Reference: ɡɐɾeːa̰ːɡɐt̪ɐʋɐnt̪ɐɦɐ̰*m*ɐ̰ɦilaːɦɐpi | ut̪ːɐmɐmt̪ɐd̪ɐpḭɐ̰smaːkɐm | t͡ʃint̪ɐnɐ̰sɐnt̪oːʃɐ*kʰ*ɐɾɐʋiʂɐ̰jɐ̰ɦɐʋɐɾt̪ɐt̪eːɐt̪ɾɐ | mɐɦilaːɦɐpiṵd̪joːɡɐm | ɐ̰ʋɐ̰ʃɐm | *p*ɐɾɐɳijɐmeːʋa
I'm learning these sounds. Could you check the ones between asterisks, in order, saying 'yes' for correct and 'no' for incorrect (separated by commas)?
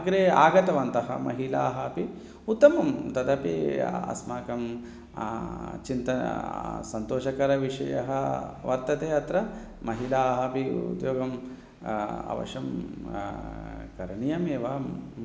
yes, no, no